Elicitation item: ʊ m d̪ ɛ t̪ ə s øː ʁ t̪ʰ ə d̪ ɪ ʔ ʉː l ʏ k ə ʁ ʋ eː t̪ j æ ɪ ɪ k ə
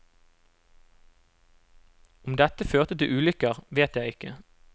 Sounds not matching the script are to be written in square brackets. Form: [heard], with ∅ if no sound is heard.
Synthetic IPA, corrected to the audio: ʊ m d̪ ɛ t̪ ə [f] øː ʁ [t̪] ə [t̪] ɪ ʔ ʉː l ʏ k ə ʁ ʋ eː t̪ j æ ɪ ɪ k ə